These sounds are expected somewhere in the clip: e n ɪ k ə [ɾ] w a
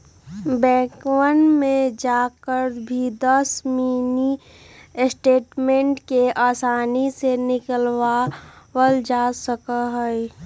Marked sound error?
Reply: yes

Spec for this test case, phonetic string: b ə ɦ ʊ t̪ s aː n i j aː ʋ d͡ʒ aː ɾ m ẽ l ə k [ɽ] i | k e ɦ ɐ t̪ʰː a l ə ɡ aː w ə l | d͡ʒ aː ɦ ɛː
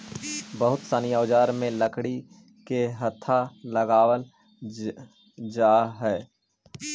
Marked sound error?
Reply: no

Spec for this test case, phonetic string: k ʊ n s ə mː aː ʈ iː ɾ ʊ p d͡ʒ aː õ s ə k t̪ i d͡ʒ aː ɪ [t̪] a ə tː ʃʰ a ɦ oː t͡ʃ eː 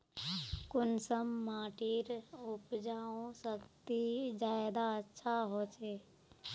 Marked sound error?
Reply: yes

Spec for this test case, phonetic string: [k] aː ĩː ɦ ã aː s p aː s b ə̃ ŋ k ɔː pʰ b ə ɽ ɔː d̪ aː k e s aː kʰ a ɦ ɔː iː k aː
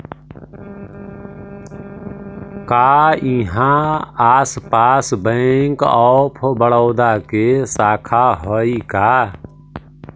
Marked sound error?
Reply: no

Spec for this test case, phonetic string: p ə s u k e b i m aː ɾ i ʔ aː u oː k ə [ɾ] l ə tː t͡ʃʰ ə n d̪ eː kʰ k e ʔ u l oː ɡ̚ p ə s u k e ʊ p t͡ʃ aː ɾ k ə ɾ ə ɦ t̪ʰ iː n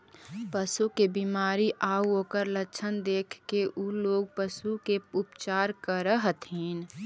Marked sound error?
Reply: no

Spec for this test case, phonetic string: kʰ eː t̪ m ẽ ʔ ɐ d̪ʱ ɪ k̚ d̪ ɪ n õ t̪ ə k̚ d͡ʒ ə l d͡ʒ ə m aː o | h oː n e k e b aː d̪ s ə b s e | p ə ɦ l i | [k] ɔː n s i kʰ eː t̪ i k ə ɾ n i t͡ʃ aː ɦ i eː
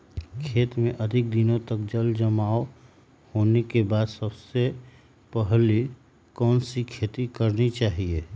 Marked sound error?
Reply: no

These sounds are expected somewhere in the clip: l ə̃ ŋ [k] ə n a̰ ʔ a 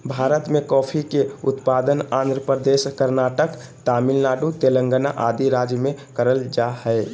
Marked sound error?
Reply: yes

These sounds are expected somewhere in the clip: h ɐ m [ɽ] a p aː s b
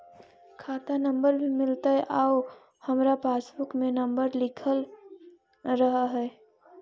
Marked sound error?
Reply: yes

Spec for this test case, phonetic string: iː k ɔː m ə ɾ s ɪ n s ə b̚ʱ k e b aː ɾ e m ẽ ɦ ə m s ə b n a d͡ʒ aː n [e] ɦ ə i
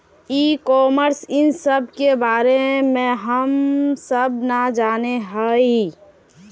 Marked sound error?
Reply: no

